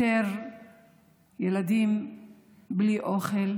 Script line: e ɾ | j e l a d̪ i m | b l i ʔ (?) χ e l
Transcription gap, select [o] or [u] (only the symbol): o